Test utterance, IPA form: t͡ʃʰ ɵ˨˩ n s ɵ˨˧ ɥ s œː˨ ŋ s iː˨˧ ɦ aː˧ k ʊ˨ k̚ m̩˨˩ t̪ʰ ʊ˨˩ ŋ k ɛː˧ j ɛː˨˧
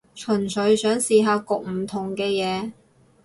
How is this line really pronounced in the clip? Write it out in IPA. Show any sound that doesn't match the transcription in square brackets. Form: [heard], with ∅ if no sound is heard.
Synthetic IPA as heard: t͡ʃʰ ɵ˨˩ n s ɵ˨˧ ɥ s [œː˨˥] ŋ s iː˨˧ ɦ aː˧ k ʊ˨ k̚ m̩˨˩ t̪ʰ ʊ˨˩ ŋ k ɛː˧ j ɛː˨˧